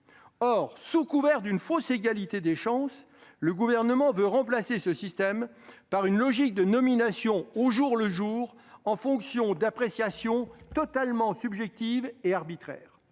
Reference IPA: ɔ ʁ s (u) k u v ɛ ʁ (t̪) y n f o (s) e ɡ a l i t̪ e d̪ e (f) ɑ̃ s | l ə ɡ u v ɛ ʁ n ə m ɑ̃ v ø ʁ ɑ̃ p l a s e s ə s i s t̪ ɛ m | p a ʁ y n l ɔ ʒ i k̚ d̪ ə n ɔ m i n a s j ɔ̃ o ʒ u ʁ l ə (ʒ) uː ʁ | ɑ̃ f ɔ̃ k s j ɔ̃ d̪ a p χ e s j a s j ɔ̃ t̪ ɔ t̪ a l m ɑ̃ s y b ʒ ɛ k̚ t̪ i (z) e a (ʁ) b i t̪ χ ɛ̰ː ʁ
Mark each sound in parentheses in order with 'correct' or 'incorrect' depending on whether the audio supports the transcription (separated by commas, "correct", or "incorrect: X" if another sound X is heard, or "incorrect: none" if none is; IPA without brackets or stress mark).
correct, incorrect: d̪, correct, incorrect: ʃ, correct, incorrect: v, correct